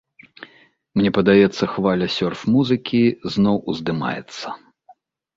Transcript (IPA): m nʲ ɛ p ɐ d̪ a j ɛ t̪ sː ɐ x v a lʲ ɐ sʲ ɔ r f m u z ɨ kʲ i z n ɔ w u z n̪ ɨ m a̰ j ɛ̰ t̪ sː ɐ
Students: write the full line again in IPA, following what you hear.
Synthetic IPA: m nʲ ɛ p ɐ d̪ a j ɛ t̪ sː ɐ x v a lʲ ɐ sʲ ɔ r f m u z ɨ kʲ i z n ɔ w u z d̪ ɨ m a̰ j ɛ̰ t̪ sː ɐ